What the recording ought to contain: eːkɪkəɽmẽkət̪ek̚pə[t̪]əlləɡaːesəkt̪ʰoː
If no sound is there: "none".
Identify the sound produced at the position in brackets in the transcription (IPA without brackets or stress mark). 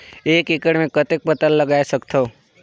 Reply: t̪